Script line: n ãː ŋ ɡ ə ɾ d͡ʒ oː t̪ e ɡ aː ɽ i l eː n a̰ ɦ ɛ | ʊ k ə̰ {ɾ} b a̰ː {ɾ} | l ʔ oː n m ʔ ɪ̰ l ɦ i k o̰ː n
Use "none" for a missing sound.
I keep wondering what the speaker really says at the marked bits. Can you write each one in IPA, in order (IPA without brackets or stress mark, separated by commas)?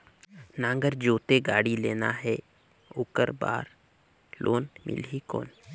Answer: ɾ, ɾ